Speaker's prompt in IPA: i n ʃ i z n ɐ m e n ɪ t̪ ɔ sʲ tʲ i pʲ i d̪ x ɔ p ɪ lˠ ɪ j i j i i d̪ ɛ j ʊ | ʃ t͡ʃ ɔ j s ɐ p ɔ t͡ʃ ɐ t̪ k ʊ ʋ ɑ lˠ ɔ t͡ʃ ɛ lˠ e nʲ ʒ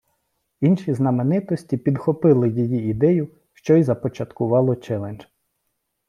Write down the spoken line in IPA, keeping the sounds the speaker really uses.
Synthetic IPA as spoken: i n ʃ i z n ɐ m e n ɪ t̪ ɔ sʲ tʲ i pʲ i d̪ x ɔ p ɪ lˠ ɪ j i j i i d̪ ɛ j ʊ | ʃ t͡ʃ ɔ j z ɐ p ɔ t͡ʃ ɐ t̪ k ʊ ʋ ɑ lˠ ɔ t͡ʃ ɛ lˠ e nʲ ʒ